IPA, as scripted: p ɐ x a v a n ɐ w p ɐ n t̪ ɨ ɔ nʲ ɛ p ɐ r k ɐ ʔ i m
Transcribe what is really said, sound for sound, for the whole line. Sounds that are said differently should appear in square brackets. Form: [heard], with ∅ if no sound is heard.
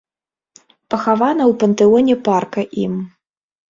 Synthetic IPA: p ɐ x a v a n ɐ w p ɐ n t̪ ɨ ɔ nʲ ɛ p [a] r k ɐ ʔ i m